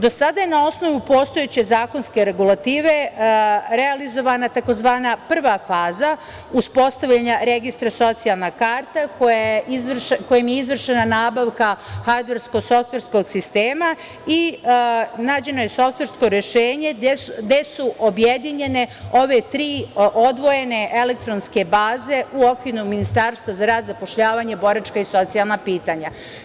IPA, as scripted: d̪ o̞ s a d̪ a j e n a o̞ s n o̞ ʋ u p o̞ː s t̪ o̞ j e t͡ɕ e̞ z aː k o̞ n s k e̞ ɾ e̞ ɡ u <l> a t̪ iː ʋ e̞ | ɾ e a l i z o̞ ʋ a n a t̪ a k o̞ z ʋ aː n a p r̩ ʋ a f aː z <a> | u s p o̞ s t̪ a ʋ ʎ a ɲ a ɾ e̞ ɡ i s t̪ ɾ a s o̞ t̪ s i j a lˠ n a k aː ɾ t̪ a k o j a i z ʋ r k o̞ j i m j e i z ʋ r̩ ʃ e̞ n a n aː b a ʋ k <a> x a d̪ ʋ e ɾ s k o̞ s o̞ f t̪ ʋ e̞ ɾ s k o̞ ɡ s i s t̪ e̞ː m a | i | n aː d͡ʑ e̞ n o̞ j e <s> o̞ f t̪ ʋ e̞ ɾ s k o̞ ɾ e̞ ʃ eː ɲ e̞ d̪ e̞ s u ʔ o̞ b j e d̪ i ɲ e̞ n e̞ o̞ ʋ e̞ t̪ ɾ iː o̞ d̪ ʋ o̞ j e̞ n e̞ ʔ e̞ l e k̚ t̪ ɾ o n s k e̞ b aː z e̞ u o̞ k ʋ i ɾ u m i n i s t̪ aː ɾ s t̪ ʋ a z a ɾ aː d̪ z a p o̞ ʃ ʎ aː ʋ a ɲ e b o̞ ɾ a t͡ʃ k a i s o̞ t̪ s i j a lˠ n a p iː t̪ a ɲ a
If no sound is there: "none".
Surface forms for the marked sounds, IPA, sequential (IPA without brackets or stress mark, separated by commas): l, a, a, s